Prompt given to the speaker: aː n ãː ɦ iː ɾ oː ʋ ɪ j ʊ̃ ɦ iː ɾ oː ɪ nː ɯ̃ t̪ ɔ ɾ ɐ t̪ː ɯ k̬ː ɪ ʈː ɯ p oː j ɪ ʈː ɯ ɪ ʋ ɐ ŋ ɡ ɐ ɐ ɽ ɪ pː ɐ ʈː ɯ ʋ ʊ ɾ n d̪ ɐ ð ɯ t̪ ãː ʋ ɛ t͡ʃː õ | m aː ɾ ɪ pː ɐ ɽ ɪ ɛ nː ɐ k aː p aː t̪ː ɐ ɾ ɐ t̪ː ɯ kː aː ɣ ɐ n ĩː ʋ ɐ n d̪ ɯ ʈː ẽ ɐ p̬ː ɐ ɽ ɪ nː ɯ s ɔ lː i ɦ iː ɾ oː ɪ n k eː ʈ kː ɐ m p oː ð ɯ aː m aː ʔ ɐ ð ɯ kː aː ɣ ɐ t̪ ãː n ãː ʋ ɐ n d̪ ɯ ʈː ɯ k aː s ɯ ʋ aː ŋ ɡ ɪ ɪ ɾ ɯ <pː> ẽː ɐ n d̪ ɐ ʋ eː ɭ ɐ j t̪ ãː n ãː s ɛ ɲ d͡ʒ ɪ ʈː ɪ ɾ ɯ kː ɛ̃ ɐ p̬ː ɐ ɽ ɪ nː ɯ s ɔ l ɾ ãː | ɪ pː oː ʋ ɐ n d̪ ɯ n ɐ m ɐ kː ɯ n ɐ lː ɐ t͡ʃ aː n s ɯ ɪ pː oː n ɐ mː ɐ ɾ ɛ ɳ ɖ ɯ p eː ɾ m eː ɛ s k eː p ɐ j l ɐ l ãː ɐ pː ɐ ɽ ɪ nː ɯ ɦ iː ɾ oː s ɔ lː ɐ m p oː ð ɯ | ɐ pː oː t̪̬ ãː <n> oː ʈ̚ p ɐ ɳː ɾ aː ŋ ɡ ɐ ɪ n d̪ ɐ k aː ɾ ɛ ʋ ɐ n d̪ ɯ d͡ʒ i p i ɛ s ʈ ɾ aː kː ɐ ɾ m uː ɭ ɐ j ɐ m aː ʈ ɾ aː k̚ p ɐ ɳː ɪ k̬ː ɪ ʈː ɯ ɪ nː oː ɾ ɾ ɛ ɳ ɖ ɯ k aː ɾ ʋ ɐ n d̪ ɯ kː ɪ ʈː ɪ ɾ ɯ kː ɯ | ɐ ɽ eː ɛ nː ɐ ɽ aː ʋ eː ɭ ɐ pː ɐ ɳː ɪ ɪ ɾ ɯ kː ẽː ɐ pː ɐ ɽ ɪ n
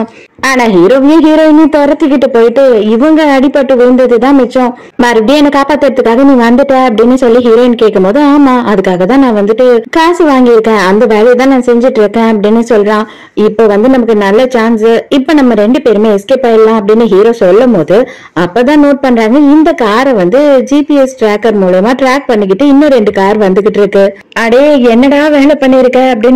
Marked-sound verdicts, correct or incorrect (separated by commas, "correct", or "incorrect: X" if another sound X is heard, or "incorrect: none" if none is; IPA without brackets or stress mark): incorrect: kː, correct